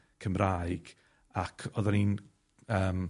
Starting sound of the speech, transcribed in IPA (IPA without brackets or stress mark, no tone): kʰ